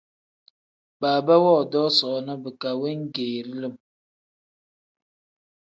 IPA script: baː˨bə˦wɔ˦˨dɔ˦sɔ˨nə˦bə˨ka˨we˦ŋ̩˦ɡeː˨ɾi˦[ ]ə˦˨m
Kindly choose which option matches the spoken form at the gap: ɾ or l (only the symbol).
l